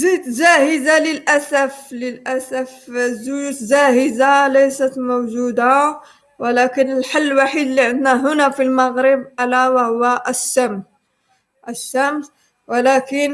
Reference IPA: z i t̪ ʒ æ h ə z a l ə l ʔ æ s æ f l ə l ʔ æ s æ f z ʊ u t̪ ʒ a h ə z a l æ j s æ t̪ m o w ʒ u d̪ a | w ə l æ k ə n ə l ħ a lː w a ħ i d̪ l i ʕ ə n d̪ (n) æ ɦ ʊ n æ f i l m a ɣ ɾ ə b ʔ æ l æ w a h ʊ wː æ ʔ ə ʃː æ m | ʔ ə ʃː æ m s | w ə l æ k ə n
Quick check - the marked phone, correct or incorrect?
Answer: correct